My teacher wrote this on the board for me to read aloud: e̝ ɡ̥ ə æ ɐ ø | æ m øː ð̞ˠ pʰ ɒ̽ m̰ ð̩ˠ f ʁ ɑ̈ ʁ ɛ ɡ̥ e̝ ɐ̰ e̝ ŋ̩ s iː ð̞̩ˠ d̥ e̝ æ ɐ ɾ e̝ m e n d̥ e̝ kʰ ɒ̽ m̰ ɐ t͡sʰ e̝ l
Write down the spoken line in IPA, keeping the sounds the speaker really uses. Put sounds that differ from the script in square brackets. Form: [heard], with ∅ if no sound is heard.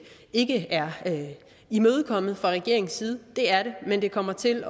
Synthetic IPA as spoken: e̝ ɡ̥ ə æ ɐ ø | [i] m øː ð̞ˠ [kʰ] ɒ̽ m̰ ð̩ˠ f ʁ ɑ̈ ʁ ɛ ɡ̥ e̝ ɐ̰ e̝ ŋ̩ s iː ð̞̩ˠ d̥ e̝ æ ɐ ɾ e̝ m e n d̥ e̝ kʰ ɒ̽ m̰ ɐ t͡sʰ e̝ l